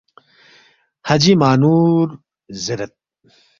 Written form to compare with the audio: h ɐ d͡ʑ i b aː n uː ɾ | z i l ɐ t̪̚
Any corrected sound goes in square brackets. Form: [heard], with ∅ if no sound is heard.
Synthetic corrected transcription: h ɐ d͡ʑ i [m] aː n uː ɾ | z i [ɾ] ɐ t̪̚